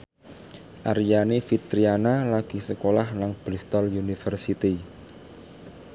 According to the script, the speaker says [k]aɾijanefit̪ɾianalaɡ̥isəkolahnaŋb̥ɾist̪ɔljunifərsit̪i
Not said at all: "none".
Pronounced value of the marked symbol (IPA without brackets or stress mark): ʔ